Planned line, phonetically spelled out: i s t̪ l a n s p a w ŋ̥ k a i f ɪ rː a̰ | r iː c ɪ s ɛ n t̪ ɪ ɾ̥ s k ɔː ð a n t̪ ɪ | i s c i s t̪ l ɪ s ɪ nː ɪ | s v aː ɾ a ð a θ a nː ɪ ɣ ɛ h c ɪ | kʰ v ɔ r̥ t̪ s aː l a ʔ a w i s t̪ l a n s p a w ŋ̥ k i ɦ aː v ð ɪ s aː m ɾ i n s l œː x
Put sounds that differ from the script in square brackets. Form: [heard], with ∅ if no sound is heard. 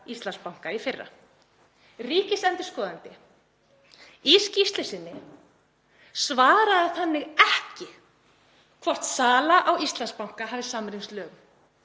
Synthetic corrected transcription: i s t̪ l a n s p a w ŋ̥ k a i f ɪ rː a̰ | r iː c ɪ s ɛ n t̪ ɪ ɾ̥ s k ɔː ð a n t̪ ɪ | i s c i s t̪ l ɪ s ɪ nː ɪ | s v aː ɾ a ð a θ a nː ɪ ɣ ɛ h c ɪ | kʰ v ɔ r̥ t̪ s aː l a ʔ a w i s t̪ l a n s p a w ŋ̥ k [a] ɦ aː v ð ɪ s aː m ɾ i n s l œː [ɣ]